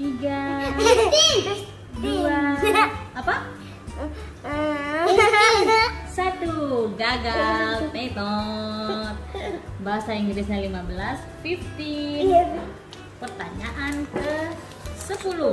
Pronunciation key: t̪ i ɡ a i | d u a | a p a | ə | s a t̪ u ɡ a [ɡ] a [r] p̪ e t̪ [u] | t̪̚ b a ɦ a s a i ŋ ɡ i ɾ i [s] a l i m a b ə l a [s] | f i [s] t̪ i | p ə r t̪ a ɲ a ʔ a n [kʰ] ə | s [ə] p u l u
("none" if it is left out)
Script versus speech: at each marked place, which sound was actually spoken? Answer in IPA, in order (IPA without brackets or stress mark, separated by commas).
ɡ, l, ɔ, s, s, f, k, ə